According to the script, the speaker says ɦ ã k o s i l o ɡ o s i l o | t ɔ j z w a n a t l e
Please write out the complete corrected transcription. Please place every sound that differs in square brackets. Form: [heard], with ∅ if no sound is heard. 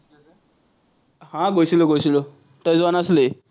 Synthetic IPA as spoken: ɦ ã [ɡ] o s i l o ɡ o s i l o | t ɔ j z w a n a [s] l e